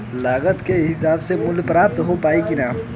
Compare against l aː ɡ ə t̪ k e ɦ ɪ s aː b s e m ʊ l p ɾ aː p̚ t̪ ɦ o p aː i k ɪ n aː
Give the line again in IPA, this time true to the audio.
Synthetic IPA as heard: l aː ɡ ə t̪ k e ɦ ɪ s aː b s e m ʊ l p ɾ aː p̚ t̪ ɦ o p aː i k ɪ n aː